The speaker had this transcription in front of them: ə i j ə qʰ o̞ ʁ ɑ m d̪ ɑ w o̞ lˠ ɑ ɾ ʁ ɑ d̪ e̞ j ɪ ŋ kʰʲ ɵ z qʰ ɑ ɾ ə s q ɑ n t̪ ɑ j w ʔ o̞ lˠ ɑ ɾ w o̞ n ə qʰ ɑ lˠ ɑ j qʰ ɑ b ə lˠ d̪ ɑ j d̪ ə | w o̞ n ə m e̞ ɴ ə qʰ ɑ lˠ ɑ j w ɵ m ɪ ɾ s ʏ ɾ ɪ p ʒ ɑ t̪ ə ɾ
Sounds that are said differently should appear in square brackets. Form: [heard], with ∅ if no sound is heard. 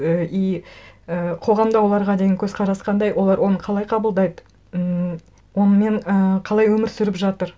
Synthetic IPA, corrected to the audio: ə i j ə qʰ o̞ ʁ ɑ m d̪ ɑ w o̞ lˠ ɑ ɾ ʁ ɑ d̪ e̞ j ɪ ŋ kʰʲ ɵ z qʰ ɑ ɾ [ɑ] s q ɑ n [d̪] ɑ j w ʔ o̞ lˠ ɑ ɾ w o̞ n ə qʰ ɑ lˠ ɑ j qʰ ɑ b ə lˠ d̪ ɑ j d̪ ə | w o̞ n ə m e̞ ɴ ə qʰ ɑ lˠ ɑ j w ɵ m ɪ ɾ s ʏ ɾ ɪ p ʒ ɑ t̪ ə ɾ